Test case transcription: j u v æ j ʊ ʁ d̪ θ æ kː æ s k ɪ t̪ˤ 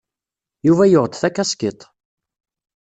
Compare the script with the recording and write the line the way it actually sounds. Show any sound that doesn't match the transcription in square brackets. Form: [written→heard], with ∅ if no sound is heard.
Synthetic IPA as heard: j u v æ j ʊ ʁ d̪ θ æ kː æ s k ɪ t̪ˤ